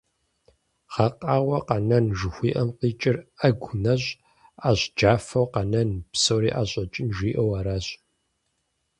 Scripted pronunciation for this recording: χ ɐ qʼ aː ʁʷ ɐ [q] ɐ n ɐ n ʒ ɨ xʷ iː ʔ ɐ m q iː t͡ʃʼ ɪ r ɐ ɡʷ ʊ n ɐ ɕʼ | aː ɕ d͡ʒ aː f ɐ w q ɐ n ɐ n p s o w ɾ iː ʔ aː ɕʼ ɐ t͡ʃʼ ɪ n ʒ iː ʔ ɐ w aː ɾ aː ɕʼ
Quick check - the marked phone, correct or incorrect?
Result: correct